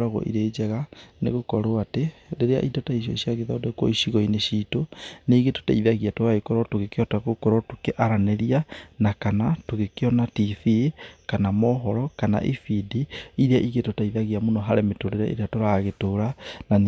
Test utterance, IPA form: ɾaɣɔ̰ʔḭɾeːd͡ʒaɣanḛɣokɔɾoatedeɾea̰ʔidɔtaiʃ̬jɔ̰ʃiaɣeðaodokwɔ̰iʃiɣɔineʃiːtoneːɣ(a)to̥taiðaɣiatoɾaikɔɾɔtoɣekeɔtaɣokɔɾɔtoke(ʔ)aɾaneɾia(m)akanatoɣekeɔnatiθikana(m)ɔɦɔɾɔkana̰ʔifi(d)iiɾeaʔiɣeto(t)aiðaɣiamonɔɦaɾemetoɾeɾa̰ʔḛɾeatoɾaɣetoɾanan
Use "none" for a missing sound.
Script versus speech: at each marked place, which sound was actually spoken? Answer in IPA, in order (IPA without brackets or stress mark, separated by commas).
e, ʔ, n, m, d, t